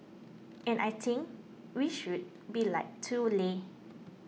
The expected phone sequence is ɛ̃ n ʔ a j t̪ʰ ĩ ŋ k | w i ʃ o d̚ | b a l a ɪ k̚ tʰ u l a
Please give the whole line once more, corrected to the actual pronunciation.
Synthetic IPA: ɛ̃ n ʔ a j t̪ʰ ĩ ŋ k | w i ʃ u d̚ | b i l a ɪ k̚ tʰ u l e